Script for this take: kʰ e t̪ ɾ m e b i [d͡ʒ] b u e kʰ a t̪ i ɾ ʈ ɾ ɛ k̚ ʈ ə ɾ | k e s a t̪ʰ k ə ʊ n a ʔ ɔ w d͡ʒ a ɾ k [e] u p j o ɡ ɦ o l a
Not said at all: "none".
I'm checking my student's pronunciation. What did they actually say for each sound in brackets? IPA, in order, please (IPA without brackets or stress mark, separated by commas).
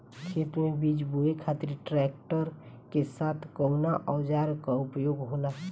d͡ʒ, a